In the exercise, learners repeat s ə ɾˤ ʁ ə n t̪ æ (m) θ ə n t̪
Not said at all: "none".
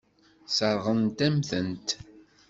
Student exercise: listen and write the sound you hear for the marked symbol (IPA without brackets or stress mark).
m